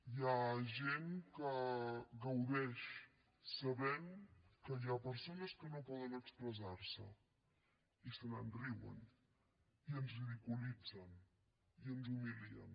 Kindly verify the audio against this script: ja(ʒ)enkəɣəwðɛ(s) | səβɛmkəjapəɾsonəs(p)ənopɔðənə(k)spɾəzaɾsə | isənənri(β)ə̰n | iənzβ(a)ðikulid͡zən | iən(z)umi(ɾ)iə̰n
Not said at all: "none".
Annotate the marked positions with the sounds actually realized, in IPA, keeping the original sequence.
ʒ, ʃ, k, k, w, i, z, l

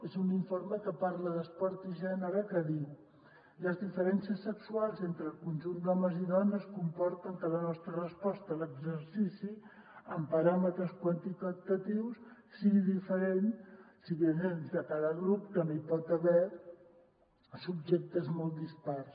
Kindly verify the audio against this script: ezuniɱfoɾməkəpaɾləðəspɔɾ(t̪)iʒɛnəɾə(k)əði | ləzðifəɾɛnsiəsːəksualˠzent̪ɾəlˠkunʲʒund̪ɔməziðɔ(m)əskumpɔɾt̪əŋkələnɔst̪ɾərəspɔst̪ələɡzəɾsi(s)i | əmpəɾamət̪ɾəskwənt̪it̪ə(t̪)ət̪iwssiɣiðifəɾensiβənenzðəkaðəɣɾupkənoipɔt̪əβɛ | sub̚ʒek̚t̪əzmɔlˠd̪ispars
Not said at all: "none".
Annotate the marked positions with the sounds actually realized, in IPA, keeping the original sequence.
t̪, k, n, s, t̪

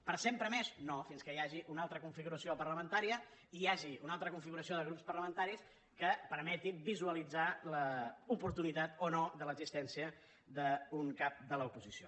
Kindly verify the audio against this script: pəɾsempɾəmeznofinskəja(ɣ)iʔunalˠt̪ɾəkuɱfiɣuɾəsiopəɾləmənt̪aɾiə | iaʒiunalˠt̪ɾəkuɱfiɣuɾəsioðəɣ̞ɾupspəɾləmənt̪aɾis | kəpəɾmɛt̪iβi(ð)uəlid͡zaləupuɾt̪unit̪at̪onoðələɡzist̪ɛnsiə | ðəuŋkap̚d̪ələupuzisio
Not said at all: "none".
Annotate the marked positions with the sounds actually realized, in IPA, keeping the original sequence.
ʒ, z

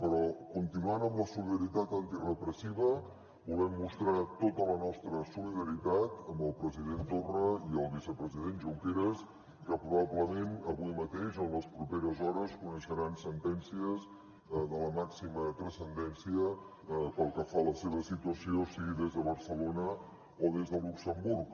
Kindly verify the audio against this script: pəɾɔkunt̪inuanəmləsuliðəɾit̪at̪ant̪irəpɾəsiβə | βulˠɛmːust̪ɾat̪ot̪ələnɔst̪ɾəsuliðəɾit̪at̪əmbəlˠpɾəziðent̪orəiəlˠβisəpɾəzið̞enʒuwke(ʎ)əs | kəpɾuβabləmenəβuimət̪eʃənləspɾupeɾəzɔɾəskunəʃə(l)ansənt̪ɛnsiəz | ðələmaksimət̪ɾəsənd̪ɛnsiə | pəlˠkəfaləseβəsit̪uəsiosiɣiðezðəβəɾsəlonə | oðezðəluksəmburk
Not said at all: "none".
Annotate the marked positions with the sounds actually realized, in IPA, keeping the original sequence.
ɾ, ɾ

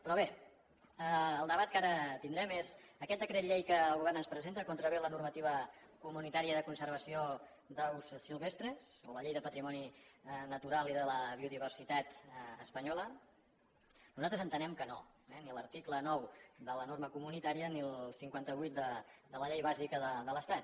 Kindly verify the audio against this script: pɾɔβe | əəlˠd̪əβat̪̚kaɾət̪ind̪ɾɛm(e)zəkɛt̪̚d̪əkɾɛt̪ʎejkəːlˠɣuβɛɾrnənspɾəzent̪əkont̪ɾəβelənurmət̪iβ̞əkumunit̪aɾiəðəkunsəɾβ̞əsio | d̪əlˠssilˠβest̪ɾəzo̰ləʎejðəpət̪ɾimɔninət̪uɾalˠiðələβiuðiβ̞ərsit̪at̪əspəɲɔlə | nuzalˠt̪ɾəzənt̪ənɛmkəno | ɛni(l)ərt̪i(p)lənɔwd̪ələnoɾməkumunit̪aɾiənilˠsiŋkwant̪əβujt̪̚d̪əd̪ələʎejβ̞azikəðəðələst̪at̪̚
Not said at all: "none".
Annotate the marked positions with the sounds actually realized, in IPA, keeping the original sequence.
e, l, k

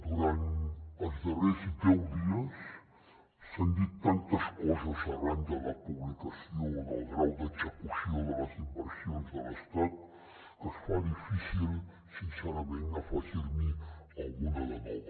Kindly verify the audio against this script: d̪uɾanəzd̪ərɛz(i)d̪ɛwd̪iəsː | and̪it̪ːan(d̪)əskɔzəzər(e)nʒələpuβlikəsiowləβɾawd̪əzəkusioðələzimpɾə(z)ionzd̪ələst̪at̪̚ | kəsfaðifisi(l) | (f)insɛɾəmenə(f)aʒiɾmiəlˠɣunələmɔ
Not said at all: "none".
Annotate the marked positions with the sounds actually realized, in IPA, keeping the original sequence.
i, t̪, a, s, l, s, f

